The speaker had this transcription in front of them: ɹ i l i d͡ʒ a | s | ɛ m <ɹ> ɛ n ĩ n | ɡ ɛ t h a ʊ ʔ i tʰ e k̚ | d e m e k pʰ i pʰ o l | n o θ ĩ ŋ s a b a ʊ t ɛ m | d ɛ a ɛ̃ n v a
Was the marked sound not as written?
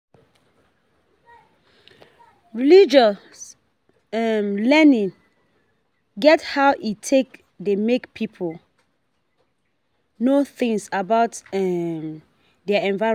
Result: yes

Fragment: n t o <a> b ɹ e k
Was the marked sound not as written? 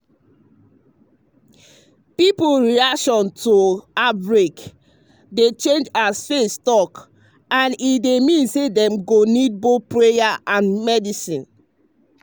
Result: no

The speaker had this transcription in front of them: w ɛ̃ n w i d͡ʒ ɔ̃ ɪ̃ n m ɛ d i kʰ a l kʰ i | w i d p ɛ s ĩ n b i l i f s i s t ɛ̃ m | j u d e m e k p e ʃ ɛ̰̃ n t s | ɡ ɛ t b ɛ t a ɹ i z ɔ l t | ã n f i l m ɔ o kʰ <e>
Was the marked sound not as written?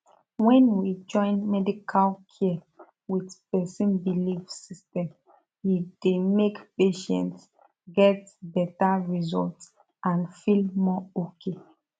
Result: no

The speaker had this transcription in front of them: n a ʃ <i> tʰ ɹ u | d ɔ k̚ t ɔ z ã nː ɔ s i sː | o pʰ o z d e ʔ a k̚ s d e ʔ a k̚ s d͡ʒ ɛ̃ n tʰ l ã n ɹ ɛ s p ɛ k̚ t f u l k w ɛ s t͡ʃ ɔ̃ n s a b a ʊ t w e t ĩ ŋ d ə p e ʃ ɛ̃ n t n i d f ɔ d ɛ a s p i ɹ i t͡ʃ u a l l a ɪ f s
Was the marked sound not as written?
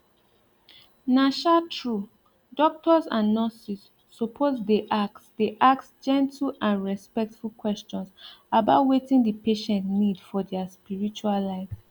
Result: yes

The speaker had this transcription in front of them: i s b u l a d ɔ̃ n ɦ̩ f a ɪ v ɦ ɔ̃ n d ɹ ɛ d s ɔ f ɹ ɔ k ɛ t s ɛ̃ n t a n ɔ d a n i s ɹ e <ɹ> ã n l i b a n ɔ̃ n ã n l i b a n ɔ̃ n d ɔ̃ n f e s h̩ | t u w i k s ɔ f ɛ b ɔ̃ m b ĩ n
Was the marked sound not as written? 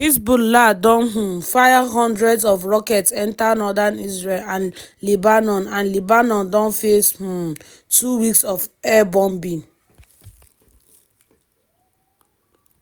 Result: yes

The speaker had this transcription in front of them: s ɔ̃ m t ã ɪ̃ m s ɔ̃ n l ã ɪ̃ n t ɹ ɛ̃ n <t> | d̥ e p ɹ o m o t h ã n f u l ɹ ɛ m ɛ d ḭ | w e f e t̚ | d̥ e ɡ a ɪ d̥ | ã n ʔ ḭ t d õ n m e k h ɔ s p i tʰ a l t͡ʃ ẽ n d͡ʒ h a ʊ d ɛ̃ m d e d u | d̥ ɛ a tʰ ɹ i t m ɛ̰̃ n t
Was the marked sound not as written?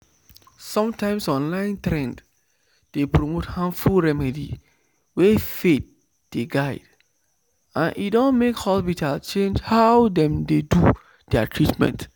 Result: yes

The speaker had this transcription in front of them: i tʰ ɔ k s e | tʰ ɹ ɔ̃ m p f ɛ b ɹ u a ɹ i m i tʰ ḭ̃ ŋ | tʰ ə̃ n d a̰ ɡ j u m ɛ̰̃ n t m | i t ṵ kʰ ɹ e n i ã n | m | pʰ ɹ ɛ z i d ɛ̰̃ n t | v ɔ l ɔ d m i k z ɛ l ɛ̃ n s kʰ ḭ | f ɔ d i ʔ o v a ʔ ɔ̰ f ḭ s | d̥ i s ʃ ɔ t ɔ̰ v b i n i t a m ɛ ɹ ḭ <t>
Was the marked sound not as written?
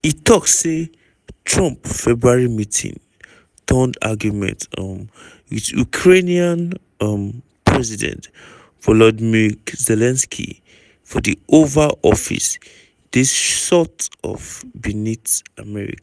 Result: yes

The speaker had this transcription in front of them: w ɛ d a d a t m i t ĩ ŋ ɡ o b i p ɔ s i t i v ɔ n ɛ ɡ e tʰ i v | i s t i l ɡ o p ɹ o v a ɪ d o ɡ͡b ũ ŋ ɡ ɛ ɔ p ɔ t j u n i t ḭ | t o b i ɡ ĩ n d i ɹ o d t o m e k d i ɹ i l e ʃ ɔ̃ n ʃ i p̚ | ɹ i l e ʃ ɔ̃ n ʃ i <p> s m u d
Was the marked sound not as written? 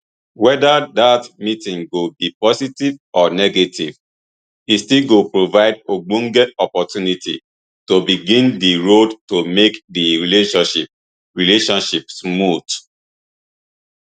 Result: no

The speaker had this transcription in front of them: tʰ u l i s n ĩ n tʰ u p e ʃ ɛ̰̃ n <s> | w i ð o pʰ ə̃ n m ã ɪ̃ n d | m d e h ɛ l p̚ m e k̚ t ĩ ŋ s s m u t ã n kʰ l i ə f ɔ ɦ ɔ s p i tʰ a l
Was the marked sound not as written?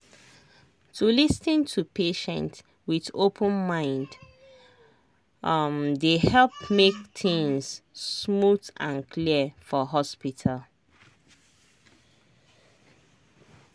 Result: yes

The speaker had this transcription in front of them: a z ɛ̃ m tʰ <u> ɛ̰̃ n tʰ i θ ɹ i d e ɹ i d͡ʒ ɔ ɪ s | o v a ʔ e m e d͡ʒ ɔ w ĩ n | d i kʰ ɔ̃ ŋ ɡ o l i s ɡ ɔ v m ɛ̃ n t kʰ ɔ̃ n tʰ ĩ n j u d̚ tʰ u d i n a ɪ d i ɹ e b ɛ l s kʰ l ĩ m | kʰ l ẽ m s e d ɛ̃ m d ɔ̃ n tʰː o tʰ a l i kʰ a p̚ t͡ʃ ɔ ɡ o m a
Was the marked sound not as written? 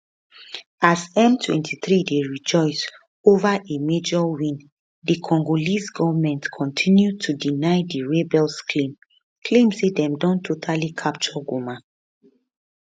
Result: yes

